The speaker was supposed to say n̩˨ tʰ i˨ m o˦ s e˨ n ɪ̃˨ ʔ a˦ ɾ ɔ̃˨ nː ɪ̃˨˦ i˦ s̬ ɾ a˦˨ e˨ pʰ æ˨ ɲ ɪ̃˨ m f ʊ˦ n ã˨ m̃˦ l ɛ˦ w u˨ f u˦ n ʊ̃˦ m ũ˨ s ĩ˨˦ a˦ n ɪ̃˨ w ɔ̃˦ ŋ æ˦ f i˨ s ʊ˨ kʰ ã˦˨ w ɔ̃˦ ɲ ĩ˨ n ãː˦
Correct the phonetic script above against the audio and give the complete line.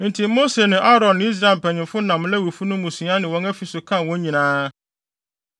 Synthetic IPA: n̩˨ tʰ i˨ m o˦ s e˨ n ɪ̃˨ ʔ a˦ ɾ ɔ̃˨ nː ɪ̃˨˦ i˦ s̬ ɾ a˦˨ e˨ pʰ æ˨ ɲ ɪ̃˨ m f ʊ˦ n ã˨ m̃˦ l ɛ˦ w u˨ f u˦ n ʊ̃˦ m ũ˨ s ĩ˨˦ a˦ n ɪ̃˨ w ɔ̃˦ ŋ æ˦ f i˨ s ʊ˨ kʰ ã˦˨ w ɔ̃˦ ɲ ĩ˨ n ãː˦